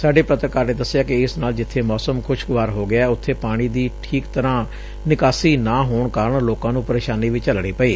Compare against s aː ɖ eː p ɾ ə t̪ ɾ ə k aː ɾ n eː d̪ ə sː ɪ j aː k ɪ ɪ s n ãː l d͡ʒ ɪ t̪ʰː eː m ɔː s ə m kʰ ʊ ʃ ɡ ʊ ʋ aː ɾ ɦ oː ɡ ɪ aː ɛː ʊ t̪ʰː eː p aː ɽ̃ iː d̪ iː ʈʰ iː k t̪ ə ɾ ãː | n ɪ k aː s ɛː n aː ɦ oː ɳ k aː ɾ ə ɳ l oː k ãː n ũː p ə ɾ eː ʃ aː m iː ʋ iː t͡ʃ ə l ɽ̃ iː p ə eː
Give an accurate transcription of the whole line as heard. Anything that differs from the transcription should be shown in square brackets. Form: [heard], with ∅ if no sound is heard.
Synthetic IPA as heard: s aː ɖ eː p ɾ ə t̪ ɾ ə k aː ɾ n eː d̪ ə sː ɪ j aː k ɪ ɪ s n [aː] l d͡ʒ ɪ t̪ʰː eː m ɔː s ə m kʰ ʊ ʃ ɡ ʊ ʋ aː ɾ ɦ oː ɡ ɪ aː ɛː ʊ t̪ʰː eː p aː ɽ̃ iː d̪ iː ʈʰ iː k t̪ ə ɾ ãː | n ɪ k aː s [iː] n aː ɦ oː ɳ k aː ɾ ə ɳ l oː k ãː n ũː p ə ɾ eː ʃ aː [n] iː ʋ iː t͡ʃ ə l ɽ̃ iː p ə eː

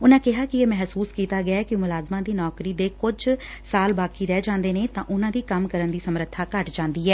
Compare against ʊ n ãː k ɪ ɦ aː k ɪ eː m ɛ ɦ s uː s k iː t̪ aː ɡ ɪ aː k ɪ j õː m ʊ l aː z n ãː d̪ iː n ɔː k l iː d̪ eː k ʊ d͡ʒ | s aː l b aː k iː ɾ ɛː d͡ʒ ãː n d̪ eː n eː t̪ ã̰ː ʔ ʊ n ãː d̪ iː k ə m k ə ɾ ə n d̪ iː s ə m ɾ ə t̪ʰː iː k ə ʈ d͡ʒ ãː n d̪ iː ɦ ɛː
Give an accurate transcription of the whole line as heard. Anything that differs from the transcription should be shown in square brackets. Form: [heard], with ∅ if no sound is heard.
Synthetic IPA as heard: ʊ n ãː k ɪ ɦ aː k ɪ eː m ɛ ɦ s uː s k iː t̪ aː ɡ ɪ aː k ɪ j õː m ʊ l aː z [m] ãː d̪ iː n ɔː k [ɾ] iː d̪ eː k ʊ d͡ʒ | s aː l b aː k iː ɾ ɛː d͡ʒ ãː n d̪ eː n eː t̪ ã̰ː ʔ ʊ n ãː d̪ iː k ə m k ə ɾ ə n d̪ iː s ə m ɾ ə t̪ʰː [aː] k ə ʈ d͡ʒ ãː n d̪ iː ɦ ɛː

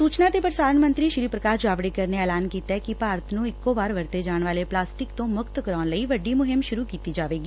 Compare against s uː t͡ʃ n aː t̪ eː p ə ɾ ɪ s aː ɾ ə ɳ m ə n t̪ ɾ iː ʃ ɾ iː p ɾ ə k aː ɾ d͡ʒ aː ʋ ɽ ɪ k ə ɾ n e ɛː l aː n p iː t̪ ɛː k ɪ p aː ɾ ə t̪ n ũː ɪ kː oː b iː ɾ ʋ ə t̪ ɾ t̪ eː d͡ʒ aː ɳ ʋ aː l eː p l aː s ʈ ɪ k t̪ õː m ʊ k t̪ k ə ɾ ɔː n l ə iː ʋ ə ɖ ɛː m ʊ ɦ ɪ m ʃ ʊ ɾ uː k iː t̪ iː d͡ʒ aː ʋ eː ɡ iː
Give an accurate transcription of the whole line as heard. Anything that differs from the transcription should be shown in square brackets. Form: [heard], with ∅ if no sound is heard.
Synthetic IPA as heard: s uː t͡ʃ n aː t̪ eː p ə ɾ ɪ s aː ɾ ə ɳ m ə n t̪ ɾ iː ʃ ɾ iː p ɾ ə k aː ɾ d͡ʒ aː ʋ ɽ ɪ k ə ɾ n e ɛː l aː n [k] iː t̪ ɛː k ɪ p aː ɾ ə t̪ n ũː ɪ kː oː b [aː] ɾ ʋ ə [∅] ɾ t̪ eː d͡ʒ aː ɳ ʋ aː l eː p l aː s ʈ ɪ k t̪ õː m ʊ k t̪ k ə ɾ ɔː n l ə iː ʋ ə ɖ [iː] m ʊ ɦ ɪ m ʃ ʊ ɾ uː k iː t̪ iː d͡ʒ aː ʋ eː ɡ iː

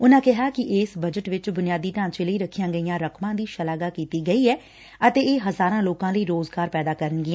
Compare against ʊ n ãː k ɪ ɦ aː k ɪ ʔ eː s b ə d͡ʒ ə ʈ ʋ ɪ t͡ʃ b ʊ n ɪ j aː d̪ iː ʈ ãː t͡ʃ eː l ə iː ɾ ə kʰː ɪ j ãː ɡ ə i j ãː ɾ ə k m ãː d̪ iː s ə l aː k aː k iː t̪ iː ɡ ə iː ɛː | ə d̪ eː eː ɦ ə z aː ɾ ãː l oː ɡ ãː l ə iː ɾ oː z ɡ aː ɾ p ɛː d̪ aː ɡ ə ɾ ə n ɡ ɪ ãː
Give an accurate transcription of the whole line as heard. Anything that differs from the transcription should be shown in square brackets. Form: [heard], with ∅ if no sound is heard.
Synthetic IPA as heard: ʊ n ãː k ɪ ɦ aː k ɪ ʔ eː s b ə d͡ʒ ə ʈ ʋ ɪ t͡ʃ b ʊ n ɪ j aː d̪ iː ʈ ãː t͡ʃ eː l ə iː ɾ ə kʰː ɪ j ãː ɡ ə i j ãː ɾ ə k m ãː d̪ iː [ʃ] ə l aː [ɡ] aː k iː t̪ iː ɡ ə iː ɛː | ə [t̪] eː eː ɦ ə z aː ɾ ãː l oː [k] ãː l ə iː ɾ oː z ɡ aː ɾ p ɛː d̪ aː [k] ə ɾ ə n ɡ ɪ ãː

